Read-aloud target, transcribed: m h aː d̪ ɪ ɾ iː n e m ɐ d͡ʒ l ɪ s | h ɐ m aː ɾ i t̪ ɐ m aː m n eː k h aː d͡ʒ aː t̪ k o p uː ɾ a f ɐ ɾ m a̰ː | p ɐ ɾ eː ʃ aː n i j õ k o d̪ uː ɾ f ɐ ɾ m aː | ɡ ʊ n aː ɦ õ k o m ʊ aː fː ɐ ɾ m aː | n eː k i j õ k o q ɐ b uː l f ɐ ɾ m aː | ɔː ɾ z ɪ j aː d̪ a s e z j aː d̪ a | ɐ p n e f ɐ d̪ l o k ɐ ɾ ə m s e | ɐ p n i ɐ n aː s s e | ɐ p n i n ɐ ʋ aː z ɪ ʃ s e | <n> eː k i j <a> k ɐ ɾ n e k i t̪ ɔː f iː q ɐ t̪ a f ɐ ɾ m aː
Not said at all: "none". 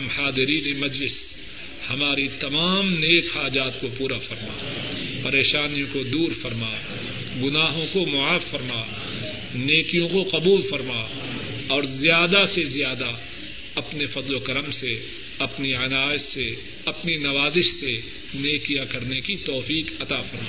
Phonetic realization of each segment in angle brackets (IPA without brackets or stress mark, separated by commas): n, a